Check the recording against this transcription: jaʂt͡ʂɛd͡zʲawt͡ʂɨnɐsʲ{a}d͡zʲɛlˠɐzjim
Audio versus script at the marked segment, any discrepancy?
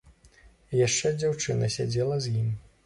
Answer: no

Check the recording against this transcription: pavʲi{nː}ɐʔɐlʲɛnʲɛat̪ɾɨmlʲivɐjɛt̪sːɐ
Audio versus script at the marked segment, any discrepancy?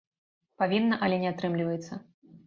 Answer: no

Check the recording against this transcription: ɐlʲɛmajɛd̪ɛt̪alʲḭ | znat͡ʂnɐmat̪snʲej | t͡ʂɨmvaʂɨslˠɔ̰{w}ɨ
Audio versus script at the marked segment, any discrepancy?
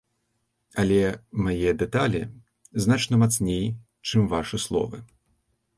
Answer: yes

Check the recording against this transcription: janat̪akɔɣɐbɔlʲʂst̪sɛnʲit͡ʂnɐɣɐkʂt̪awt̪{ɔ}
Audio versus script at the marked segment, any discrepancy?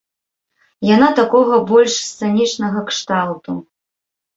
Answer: yes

